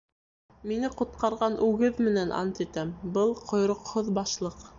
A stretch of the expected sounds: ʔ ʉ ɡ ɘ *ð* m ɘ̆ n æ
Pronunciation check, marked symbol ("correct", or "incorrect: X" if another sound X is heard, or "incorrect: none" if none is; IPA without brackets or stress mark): correct